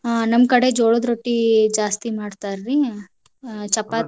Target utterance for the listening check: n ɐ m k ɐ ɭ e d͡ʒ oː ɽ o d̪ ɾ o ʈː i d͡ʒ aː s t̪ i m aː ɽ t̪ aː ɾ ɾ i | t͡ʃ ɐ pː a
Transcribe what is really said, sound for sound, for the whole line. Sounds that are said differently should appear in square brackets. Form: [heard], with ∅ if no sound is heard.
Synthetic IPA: n ɐ m k ɐ [ɽ] e d͡ʒ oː [ɭ] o d̪ ɾ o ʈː i d͡ʒ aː s t̪ i m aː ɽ t̪ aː ɾ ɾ i | t͡ʃ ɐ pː a